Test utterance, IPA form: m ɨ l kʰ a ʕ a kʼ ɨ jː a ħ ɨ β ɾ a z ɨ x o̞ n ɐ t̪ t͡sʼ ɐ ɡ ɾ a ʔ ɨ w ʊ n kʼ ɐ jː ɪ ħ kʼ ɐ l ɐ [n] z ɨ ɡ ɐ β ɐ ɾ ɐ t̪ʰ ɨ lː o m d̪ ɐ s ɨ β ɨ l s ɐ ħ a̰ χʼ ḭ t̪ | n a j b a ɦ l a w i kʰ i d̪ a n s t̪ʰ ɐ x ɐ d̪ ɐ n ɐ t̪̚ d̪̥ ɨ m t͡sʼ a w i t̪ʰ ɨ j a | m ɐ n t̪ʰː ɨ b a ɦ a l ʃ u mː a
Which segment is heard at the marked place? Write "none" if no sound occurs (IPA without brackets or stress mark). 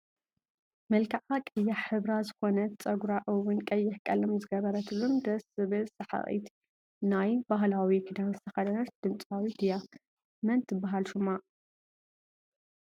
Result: m